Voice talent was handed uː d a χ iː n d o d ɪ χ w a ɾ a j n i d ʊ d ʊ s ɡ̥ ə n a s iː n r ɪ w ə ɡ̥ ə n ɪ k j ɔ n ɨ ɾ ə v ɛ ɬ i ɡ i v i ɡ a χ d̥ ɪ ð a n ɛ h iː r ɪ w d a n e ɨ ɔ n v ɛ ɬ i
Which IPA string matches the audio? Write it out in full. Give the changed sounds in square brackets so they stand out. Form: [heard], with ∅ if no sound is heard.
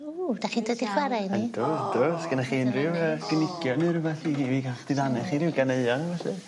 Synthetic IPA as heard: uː d a χ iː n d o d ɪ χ w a ɾ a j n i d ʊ d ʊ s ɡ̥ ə n a [χ] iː n r ɪ w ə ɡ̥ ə n ɪ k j ɔ n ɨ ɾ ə v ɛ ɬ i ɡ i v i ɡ a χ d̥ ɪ ð a n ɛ [χ] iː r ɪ w [ɡ] a n e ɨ ɔ n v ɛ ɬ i